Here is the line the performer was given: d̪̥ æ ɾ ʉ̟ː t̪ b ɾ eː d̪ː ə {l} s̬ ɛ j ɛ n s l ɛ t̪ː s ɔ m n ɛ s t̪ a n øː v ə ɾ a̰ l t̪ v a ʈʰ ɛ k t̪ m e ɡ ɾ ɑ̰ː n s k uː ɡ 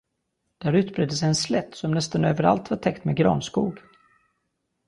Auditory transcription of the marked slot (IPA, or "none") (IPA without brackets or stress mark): none